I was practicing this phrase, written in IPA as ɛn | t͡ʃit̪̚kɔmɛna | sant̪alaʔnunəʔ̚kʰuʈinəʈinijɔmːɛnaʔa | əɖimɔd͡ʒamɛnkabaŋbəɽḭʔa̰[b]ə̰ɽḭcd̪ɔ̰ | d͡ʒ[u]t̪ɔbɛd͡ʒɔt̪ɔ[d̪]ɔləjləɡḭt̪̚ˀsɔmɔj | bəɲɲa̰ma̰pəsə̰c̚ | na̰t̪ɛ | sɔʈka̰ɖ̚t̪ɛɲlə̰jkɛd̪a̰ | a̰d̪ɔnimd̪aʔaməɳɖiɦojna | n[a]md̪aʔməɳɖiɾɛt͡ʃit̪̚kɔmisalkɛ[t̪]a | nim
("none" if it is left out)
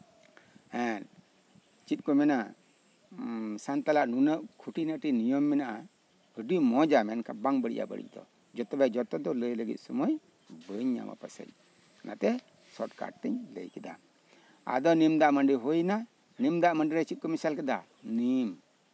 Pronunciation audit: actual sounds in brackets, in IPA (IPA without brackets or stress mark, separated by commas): b, ɔ, d̪, i, d̪